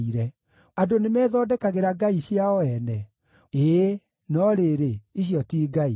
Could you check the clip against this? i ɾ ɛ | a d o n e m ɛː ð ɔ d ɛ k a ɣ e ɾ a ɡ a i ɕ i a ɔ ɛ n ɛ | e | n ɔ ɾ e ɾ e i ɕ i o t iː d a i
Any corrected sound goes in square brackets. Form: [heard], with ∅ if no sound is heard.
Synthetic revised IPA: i ɾ ɛ | a d o n e m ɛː ð ɔ d ɛ k a ɣ e ɾ a ɡ a i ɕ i a ɔ ɛ n ɛ | e | n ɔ ɾ e ɾ e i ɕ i [ɔ] t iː [ɡ] a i